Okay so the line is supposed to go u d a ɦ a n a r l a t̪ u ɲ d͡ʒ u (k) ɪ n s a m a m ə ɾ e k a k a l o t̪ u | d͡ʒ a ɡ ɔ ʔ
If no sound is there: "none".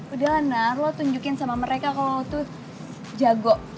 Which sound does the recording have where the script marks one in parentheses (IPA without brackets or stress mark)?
k